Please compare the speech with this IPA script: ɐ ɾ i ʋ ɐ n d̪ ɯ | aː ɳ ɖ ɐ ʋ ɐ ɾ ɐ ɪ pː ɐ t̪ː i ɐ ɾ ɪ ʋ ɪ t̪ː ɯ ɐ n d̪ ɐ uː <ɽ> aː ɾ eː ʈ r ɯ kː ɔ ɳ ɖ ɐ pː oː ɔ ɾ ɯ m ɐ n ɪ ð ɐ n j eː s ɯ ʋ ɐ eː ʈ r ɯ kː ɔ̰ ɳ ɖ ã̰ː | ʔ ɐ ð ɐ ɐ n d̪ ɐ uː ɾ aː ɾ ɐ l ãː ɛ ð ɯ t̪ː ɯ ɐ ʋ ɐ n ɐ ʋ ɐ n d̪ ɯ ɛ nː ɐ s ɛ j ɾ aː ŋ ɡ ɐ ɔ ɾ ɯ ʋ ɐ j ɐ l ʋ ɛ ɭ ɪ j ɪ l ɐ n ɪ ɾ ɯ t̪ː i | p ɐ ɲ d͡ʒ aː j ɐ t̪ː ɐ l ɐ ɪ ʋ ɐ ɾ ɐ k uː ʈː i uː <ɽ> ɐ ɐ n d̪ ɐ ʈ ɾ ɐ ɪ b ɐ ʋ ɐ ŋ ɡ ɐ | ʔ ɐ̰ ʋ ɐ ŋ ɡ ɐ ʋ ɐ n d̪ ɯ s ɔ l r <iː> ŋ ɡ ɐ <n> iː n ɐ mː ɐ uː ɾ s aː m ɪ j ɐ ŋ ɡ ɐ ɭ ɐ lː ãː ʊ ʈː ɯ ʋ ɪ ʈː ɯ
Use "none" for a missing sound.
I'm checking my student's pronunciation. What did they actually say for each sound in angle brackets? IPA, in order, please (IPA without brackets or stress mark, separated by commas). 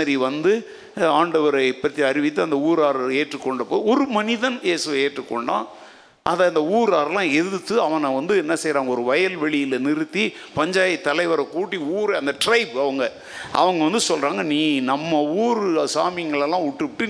ɾ, ɾ, aː, n